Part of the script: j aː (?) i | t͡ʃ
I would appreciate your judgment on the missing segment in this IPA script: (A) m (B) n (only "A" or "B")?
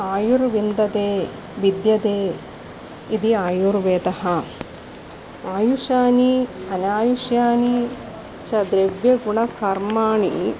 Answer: B